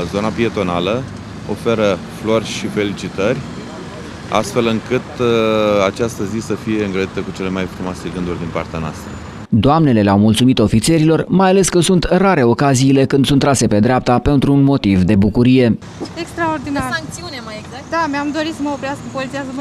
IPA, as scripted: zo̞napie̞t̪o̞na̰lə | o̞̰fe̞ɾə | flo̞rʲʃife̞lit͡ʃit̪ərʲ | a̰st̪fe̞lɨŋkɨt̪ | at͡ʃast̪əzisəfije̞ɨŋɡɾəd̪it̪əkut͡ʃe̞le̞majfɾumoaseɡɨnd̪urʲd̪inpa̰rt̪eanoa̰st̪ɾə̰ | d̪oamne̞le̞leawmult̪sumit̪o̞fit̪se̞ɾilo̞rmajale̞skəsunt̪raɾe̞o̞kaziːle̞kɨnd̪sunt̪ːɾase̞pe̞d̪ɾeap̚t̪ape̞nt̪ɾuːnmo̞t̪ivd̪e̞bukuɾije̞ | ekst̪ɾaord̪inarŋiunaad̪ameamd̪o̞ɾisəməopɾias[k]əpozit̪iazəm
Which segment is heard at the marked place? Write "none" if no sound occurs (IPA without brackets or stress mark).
k